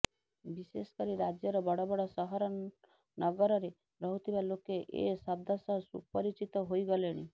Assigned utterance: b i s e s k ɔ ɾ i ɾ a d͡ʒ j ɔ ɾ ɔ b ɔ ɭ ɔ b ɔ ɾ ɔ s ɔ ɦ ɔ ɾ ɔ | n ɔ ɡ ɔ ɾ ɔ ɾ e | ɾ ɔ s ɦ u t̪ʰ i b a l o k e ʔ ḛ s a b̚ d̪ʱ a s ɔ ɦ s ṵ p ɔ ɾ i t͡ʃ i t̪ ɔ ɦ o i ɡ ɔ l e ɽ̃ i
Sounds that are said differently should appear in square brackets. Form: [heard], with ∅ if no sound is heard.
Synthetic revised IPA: b i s e s k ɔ ɾ i ɾ a d͡ʒ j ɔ ɾ ɔ b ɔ [ɽ] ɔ b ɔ [ɽ] ɔ s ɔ ɦ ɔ ɾ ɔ | n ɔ ɡ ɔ ɾ ɔ ɾ e | ɾ ɔ [∅] ɦ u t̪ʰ i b a l o k e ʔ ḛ s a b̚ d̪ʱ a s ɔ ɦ s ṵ p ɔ ɾ i t͡ʃ i t̪ ɔ ɦ o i ɡ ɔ l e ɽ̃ i